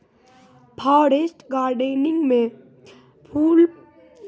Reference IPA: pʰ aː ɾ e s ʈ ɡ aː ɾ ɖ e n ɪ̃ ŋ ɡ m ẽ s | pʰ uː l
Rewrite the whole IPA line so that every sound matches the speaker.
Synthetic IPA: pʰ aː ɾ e s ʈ ɡ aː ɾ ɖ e n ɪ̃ ŋ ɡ m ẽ | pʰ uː l